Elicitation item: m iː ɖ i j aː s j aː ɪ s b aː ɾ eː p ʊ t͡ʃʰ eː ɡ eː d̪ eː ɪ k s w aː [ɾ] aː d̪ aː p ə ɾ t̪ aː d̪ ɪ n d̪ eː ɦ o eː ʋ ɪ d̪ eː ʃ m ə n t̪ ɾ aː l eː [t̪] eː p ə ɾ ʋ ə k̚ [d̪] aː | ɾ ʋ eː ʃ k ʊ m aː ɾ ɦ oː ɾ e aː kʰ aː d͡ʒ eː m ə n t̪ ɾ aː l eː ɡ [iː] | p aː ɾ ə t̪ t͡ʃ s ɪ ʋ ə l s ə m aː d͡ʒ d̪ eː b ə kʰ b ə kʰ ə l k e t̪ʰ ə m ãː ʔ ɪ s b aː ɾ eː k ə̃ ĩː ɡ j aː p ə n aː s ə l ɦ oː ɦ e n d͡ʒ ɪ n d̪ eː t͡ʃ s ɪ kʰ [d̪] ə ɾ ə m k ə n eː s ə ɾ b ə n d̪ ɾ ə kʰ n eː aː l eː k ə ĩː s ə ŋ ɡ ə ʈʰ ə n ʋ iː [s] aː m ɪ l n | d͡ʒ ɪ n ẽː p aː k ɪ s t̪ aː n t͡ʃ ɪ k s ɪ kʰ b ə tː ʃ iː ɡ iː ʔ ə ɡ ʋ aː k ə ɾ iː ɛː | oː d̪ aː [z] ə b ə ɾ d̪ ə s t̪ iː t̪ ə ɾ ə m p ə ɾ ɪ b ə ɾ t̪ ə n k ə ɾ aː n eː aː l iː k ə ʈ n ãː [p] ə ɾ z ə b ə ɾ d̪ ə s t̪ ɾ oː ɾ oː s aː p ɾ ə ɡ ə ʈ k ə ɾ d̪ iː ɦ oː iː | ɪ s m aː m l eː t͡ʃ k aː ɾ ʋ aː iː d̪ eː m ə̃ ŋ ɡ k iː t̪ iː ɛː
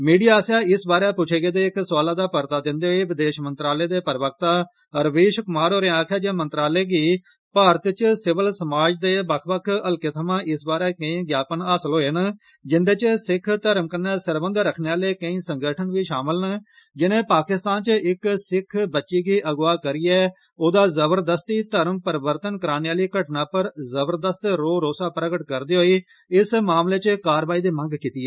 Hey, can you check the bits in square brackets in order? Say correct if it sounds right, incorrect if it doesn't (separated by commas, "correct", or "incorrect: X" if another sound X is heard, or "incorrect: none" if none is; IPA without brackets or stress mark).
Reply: incorrect: l, incorrect: d̪, incorrect: t̪, correct, incorrect: t̪, incorrect: ʃ, correct, correct